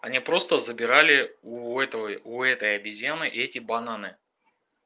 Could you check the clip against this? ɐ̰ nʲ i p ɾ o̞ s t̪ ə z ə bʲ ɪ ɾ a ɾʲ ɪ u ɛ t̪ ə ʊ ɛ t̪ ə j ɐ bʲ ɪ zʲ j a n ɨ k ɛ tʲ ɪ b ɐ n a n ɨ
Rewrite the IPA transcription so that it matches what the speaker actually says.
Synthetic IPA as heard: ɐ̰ nʲ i p ɾ o̞ s t̪ ə z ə bʲ ɪ ɾ a lʲ ɪ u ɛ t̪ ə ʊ ɛ t̪ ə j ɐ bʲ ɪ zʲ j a n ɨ ʔ ɛ tʲ ɪ b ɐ n a n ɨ